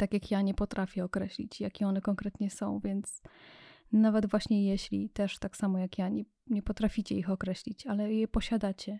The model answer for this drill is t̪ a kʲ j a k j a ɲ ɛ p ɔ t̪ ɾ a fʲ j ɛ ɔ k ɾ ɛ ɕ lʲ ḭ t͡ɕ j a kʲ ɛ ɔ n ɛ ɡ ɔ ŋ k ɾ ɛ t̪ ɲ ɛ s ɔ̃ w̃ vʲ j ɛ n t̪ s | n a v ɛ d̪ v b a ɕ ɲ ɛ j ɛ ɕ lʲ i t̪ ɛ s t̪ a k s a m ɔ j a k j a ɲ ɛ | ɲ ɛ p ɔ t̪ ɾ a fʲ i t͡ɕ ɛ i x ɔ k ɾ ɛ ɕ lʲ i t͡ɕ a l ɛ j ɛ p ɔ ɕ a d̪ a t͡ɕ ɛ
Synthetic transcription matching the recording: t̪ a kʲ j a k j a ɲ ɛ p ɔ t̪ ɾ a fʲ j ɛ ɔ k ɾ ɛ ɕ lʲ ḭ t͡ɕ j a kʲ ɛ ɔ n ɛ k ɔ ŋ k ɾ ɛ t̪ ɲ ɛ s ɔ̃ w̃ vʲ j ɛ n t̪ s | n a v ɛ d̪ v w a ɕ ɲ ɛ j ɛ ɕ lʲ i t̪ ɛ ʂ t̪ a k s a m ɔ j a k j a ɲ ɛ | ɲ ɛ p ɔ t̪ ɾ a fʲ i t͡ɕ ɛ i x ɔ k ɾ ɛ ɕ lʲ i t͡ɕ a l ɛ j ɛ p ɔ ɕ a d̪ a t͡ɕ ɛ